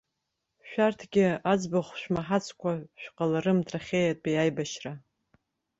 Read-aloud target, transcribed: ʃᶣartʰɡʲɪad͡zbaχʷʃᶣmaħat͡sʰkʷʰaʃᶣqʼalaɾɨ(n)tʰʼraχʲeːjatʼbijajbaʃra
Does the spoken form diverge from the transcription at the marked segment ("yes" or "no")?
yes